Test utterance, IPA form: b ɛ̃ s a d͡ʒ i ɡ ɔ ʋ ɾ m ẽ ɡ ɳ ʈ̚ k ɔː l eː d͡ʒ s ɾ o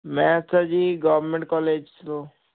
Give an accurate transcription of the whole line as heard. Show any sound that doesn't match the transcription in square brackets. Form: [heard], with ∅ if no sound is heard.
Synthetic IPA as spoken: [m] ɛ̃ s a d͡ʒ i ɡ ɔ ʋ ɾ m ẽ [∅] ɳ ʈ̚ k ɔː l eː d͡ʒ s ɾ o